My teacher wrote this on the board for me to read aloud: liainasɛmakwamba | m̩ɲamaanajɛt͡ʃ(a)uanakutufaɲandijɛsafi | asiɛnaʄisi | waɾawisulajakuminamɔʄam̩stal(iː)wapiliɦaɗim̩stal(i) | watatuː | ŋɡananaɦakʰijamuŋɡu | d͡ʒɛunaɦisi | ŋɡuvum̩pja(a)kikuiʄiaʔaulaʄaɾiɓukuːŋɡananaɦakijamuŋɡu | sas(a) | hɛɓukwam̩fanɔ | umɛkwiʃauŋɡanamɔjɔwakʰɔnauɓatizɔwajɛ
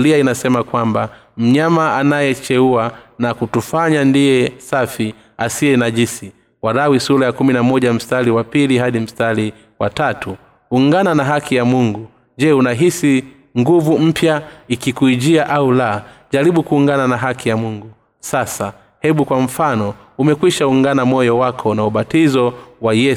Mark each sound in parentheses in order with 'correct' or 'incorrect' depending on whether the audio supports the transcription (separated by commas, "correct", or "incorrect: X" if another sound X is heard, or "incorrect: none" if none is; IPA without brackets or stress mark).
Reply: incorrect: ɛ, incorrect: i, correct, incorrect: i, correct